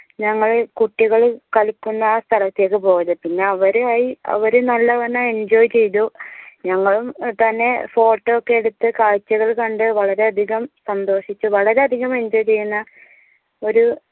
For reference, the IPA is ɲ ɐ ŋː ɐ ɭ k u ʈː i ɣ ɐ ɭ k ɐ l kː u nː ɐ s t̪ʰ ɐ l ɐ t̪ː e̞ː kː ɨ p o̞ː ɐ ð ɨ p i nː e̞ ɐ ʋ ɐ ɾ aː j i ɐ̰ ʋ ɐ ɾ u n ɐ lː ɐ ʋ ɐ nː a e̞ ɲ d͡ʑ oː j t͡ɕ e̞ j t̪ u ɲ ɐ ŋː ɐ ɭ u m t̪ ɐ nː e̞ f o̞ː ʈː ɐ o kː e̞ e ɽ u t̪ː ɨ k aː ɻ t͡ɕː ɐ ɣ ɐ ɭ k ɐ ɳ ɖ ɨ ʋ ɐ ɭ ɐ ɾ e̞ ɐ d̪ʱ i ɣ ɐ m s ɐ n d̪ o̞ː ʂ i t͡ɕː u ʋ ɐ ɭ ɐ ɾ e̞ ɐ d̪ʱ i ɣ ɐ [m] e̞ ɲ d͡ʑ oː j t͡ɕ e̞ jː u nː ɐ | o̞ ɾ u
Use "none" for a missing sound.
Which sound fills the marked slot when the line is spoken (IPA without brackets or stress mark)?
m